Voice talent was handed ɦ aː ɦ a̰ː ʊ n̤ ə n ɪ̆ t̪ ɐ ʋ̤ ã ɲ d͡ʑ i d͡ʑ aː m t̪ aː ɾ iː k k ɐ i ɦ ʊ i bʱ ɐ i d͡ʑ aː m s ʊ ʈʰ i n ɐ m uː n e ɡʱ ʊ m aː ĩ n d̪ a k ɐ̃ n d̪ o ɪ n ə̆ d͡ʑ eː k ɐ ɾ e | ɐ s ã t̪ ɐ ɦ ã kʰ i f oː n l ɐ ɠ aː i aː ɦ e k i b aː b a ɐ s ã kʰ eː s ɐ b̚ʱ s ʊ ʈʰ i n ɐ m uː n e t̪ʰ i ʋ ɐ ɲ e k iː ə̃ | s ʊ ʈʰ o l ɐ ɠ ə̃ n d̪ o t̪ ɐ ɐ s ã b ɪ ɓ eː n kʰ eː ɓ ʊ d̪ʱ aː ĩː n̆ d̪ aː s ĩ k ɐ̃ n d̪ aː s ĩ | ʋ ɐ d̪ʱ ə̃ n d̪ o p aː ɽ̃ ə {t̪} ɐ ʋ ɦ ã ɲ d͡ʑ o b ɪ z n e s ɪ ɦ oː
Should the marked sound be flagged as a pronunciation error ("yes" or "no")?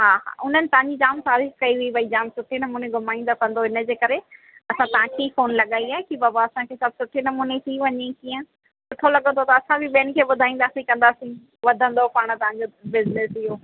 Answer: no